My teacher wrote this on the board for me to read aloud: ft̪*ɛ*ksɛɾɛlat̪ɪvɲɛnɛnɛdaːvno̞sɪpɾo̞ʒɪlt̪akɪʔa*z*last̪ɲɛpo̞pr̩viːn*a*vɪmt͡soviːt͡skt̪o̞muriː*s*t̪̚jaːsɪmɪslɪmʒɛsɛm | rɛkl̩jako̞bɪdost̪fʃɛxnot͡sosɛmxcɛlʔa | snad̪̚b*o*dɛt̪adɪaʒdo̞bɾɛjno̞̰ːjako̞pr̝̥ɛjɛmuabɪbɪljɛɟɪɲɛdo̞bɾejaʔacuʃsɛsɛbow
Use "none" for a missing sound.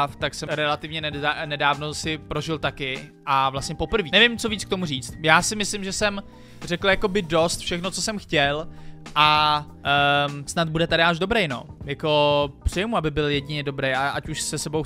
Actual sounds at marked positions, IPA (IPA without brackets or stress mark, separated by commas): a, v, ɛ, t͡s, u